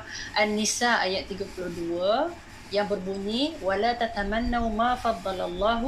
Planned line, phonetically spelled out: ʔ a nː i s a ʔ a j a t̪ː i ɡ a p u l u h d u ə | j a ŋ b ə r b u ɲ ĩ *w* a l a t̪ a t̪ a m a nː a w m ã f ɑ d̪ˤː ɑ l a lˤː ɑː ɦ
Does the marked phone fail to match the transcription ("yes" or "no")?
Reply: no